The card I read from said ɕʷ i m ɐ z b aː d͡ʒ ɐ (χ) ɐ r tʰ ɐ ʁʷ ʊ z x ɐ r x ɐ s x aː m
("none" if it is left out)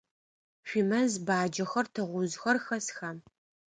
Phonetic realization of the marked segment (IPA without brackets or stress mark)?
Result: x